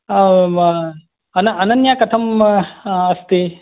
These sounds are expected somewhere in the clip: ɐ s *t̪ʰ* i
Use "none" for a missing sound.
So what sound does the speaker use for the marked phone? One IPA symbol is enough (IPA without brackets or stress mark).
t̪